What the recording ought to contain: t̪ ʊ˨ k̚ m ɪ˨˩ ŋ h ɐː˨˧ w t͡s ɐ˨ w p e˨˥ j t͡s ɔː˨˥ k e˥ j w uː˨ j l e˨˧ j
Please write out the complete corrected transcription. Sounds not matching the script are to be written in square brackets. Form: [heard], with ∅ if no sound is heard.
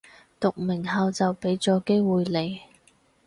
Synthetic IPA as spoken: t̪ ʊ˨ k̚ m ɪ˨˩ ŋ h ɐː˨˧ w t͡s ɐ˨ w p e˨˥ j t͡s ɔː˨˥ k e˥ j w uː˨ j l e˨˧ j